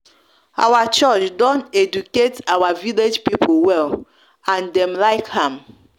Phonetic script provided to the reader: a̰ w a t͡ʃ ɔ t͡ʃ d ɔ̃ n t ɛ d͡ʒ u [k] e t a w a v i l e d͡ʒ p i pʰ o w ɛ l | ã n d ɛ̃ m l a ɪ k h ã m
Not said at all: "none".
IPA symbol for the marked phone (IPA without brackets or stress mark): k